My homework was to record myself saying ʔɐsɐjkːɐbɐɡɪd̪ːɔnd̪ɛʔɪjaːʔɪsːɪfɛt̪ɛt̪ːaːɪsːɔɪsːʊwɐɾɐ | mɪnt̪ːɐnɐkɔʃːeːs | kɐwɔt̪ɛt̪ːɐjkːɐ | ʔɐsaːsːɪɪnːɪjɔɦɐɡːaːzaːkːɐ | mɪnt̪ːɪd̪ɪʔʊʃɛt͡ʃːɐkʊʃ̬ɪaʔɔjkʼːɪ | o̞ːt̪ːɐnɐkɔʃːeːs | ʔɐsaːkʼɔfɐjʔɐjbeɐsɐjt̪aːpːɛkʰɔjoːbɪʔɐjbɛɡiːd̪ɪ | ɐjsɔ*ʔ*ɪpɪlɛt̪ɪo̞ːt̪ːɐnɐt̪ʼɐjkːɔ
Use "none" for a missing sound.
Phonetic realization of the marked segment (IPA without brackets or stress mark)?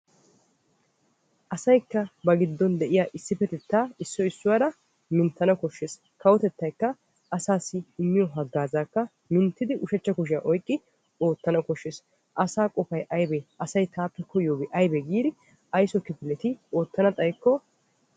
k